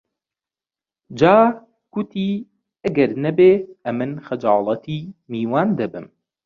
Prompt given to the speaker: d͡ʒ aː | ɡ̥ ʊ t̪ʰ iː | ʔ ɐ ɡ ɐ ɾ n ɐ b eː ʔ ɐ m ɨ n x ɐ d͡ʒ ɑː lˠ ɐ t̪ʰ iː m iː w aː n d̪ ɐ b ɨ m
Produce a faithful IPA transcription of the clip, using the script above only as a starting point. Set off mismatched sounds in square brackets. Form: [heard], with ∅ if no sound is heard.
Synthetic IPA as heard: d͡ʒ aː | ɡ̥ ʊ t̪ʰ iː | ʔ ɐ ɡ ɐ ɾ n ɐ b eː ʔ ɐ m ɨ n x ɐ d͡ʒ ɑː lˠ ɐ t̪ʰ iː m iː w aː n d̪ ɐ b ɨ m